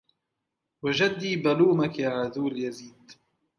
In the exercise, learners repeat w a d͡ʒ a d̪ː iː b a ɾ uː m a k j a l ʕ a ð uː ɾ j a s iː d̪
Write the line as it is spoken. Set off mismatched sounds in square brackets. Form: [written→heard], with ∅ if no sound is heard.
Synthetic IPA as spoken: w a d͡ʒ a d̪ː iː b a [ɾ→l] uː m a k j a [l→∅] ʕ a ð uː [ɾ→l] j a [s→z] iː d̪